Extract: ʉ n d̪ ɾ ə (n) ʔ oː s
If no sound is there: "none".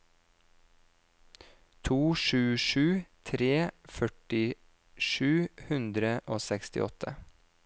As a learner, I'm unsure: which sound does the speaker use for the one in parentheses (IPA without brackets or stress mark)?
none